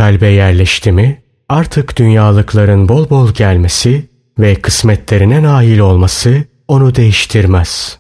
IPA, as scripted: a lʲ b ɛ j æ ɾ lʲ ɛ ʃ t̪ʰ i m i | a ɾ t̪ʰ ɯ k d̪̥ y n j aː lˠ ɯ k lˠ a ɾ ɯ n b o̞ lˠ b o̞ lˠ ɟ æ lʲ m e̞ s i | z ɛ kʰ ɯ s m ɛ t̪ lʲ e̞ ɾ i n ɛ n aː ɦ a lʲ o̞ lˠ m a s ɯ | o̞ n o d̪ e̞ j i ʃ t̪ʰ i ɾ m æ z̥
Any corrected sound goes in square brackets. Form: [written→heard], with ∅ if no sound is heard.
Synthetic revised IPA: a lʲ b ɛ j æ ɾ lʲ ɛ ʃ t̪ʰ i m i | a ɾ t̪ʰ ɯ k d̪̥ y n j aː lˠ ɯ k lˠ a ɾ ɯ n b o̞ lˠ b o̞ lˠ ɟ æ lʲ m e̞ s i | [z→v] ɛ kʰ ɯ s m ɛ t̪ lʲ e̞ ɾ i n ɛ n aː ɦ [a→i] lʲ o̞ lˠ m a s ɯ | o̞ n [o→u] d̪ e̞ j i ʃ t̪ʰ i ɾ m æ z̥